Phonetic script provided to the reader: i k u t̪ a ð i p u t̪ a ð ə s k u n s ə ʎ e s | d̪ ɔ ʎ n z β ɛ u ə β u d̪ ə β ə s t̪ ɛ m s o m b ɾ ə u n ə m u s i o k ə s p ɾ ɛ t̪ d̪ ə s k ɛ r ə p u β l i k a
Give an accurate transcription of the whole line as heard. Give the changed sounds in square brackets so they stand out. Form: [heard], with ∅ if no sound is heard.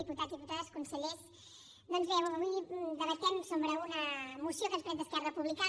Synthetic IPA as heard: i [p] u t̪ a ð i p u t̪ a ð ə s k u n s ə ʎ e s | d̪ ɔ [∅] n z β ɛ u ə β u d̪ ə β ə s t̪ ɛ m s o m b ɾ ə u n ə m u s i o k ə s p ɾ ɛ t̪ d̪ ə s k ɛ r ə p u β l i k a